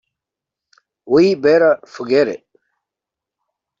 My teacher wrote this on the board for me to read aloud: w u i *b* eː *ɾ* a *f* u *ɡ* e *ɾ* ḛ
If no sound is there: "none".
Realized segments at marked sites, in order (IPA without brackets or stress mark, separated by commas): b, ɾ, f, ɡ, ɾ